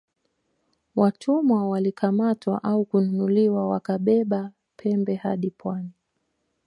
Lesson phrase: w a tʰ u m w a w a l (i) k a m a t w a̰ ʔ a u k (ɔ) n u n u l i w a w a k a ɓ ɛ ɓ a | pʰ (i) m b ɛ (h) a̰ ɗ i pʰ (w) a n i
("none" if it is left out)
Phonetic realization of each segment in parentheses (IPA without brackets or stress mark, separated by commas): i, u, ɛ, h, w